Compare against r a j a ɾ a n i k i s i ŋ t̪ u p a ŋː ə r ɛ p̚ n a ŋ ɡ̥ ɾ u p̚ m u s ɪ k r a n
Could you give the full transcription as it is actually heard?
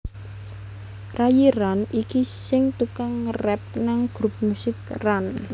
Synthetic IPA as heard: r a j i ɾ a n i k i s ɪ ŋ t̪ u k a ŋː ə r ɛ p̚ n a ŋ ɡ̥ ɾ u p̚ m u s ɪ k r a n